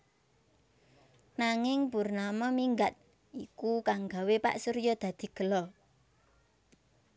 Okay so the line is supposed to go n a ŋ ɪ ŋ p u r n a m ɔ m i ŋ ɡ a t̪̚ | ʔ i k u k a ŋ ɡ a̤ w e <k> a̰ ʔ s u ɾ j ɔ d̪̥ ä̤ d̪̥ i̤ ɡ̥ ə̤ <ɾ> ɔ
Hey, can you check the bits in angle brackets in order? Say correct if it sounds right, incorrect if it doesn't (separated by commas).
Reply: incorrect, incorrect